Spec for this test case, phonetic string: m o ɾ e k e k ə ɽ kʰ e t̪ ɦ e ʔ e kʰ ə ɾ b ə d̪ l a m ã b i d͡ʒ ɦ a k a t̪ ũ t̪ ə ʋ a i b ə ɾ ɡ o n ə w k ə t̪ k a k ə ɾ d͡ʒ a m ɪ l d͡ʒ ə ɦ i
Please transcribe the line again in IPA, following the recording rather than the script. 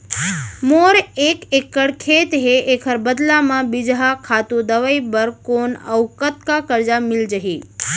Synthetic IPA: m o ɾ e k e k ə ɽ kʰ e t̪ ɦ e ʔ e kʰ ə ɾ b ə d̪ l a m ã b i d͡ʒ ɦ a kʰ a t̪ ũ d̪ ə ʋ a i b ə ɾ k o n ə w k ə t̪ k a k ə ɾ d͡ʒ a m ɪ l d͡ʒ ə ɦ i